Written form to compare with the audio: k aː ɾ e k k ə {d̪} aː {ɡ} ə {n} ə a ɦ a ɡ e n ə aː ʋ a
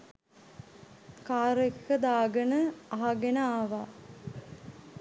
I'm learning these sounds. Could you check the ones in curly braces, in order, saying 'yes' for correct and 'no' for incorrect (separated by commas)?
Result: yes, yes, yes